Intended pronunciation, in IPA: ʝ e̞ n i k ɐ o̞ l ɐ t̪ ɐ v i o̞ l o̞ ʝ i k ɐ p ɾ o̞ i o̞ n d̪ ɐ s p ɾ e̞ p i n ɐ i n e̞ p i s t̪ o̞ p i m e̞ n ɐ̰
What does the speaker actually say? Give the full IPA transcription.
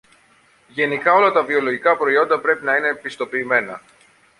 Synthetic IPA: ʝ e̞ n i k ɐ o̞ l ɐ t̪ ɐ v i o̞ l o̞ ʝ i k ɐ p ɾ o̞ i o̞ n d̪ ɐ p ɾ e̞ p i n ɐ i n e̞ p i s t̪ o̞ p iː m e̞ n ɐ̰

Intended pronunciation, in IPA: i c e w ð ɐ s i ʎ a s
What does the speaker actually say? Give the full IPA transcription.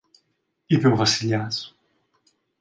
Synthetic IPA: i p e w v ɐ s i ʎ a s

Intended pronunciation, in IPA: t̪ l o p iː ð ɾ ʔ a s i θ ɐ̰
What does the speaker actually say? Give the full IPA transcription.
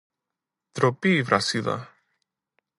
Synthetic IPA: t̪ ɾ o p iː v ɾ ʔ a s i ð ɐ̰

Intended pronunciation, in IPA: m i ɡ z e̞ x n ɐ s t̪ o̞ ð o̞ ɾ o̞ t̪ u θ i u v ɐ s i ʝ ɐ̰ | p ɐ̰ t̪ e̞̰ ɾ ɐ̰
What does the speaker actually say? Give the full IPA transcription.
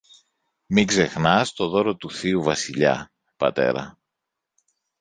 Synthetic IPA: m i ɡ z e̞ x n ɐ s t̪ o̞ ð o̞ ɾ o̞ t̪ u θ i u v ɐ s i ʎ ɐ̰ | p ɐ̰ t̪ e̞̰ ɾ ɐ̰

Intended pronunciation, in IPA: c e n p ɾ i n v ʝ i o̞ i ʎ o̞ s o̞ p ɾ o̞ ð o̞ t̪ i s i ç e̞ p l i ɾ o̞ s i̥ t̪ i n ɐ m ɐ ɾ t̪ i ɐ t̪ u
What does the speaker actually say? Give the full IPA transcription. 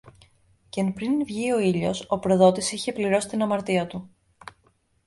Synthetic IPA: c e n p ɾ i n v ʝ i o̞ i ʎ o̞ s o̞ p ɾ o̞ ð o̞ t̪ i s i ç e̞ p l i ɾ o̞ s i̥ t̪ i n ɐ m ɐ ɾ t̪ i ɐ t̪ u

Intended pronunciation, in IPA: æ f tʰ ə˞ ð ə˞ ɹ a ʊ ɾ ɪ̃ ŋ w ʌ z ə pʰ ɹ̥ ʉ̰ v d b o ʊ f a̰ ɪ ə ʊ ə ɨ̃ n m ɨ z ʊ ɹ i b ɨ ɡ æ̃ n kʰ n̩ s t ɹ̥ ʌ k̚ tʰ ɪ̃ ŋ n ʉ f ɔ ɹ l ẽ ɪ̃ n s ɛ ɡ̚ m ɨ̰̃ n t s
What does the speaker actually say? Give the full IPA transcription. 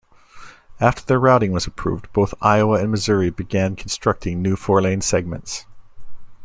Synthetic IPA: æ f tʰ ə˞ ð ə˞ ɹ a ʊ ɾ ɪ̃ ŋ w ʌ z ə pʰ ɹ̥ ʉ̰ v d b o ʊ θ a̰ ɪ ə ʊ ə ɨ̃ n m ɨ z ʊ ɹ i b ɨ ɡ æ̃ n kʰ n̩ s t ɹ̥ ʌ k̚ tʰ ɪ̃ ŋ n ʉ f ɔ ɹ l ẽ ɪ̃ n s ɛ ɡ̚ m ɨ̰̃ n t s

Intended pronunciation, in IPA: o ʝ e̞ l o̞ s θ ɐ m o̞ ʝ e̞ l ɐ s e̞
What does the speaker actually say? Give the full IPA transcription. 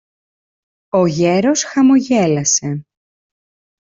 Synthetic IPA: o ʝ e̞ ɾ o̞ s x ɐ m o̞ ʝ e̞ l ɐ s e̞

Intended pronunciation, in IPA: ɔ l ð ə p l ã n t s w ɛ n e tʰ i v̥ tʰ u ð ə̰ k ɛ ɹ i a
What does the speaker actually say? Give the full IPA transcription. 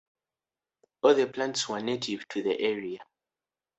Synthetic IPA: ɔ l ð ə p l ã n t s w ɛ n e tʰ i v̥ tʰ u ð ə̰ ʔ ɛ ɹ i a

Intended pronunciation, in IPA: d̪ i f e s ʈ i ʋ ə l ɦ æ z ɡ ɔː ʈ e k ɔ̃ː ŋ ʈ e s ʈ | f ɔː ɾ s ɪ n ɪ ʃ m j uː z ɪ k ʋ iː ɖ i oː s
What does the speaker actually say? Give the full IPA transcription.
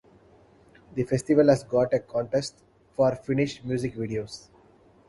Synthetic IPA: d̪ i f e s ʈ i ʋ ə l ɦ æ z ɡ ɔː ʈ e k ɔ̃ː ɳ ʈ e s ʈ | f ɔː ɾ f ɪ n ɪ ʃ m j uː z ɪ k ʋ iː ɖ i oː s

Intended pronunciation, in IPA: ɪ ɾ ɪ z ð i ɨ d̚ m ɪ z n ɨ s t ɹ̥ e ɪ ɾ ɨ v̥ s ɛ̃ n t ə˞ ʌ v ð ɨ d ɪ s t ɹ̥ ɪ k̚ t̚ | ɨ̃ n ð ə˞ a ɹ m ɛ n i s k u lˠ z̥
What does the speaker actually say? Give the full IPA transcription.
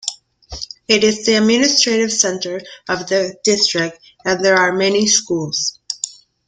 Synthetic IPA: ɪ ɾ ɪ z ð i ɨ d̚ m ɪ n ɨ s t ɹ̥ e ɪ ɾ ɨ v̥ s ɛ̃ n t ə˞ ʌ v ð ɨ d ɪ s t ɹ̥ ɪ k̚ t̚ | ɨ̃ n ð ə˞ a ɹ m ɛ n i s k u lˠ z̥

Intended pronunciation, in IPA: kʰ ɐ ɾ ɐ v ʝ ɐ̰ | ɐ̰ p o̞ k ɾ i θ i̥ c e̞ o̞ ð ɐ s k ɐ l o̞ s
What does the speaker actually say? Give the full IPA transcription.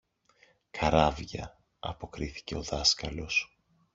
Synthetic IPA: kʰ ɐ ɾ ɐ v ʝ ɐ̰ | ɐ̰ p o̞ k ɾ i θ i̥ c e̞ o̞ ð ɐ s k ɐ l o̞ s

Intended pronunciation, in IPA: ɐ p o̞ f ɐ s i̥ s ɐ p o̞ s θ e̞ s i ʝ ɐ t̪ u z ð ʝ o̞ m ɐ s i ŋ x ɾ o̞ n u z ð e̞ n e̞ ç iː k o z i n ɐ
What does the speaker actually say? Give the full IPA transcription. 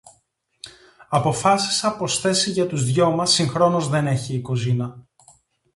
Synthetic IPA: ɐ p o̞ f ɐ s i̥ s ɐ p o̞ s θ e̞ s i ʝ ɐ t̪ u z ð ʝ o̞ m ɐ s i ŋ x ɾ o̞ n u z ð e̞ n e̞ ç iː k o z i n ɐ

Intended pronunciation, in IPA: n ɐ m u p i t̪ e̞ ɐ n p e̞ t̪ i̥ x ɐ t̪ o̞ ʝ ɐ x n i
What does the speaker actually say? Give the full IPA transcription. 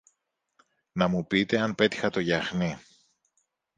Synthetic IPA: n ɐ m u p i t̪ e̞ ɐ n p e̞ t̪ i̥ x ɐ t̪ o̞ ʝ ɐ x n i

